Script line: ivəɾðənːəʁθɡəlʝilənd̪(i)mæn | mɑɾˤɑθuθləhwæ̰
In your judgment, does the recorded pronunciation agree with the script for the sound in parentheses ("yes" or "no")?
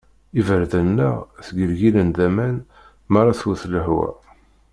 no